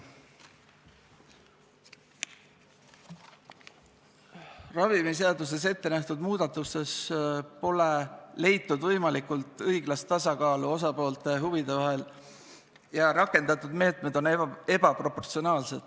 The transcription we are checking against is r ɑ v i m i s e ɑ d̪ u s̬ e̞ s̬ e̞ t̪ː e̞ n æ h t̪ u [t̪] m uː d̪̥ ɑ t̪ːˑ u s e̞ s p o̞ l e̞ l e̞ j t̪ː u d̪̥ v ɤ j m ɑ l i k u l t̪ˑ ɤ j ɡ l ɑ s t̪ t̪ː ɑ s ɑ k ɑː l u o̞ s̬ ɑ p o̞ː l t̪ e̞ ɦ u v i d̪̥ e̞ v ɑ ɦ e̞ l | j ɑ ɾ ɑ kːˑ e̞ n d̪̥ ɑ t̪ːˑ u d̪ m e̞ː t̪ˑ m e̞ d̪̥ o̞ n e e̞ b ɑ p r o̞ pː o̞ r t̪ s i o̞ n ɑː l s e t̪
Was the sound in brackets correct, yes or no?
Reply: no